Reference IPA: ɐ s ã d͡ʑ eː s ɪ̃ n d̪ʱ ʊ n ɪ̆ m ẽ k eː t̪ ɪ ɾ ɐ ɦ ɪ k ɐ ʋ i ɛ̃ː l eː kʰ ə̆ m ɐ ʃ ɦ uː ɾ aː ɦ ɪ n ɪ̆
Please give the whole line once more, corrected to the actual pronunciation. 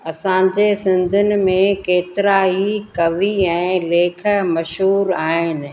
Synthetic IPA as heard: ɐ s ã d͡ʑ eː s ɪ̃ n d̪ʱ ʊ n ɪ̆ m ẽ k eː t̪ ɪ ɾ a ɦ i k ɐ ʋ i ɛ̃ː l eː kʰ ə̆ m ɐ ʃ ɦ uː ɾ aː ɦ ɪ n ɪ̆